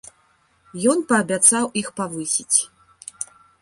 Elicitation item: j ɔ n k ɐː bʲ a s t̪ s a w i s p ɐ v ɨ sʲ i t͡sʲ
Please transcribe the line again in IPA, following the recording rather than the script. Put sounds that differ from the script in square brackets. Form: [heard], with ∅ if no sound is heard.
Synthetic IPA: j ɔ n [p] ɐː bʲ a [∅] t̪ s a w i [x] p [a] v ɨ sʲ i t͡sʲ